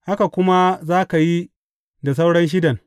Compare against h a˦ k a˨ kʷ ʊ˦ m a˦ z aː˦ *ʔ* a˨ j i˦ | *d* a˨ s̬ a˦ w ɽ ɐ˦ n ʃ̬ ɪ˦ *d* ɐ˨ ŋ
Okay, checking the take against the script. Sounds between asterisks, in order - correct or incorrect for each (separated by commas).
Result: incorrect, correct, correct